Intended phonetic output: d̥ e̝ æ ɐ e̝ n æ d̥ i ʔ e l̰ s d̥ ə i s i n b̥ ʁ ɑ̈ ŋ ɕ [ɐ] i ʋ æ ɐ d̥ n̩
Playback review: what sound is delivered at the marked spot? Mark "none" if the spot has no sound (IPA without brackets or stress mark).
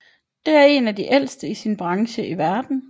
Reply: ə